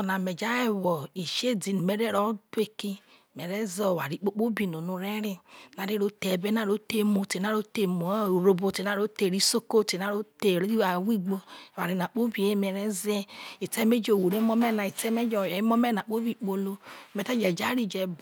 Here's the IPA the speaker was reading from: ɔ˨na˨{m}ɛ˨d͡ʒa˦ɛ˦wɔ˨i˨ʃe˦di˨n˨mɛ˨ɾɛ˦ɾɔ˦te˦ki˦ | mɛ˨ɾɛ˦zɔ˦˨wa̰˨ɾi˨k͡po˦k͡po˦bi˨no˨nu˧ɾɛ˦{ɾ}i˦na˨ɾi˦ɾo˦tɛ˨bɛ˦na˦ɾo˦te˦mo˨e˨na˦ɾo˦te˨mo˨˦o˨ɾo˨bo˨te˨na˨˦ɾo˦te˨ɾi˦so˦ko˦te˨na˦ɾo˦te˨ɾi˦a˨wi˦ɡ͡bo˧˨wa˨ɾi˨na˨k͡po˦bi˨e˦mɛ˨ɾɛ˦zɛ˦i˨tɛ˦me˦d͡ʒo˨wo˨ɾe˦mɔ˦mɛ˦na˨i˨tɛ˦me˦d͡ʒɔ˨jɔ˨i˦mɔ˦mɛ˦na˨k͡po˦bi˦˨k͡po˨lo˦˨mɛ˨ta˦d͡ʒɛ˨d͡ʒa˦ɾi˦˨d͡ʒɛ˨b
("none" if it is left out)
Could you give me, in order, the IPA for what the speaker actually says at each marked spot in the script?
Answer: m, ɾ

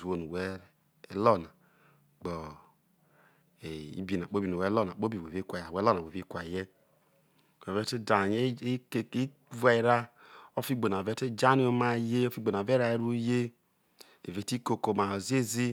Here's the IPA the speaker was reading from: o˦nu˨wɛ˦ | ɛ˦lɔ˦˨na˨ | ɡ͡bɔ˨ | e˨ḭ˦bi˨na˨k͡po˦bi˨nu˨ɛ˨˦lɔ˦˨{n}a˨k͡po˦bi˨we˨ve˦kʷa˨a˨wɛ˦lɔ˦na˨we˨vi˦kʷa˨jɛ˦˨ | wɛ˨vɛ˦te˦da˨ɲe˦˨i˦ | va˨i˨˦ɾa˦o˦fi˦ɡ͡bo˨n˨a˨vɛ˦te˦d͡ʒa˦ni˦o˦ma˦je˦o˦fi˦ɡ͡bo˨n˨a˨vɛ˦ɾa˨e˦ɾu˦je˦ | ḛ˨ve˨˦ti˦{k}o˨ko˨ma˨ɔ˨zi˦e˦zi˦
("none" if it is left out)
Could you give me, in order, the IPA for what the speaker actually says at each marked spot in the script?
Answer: n, k

